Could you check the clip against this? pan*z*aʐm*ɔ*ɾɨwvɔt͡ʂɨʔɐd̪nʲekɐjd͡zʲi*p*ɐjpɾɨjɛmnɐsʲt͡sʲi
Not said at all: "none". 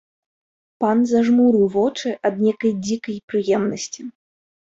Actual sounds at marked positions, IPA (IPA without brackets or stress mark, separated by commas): z, u, k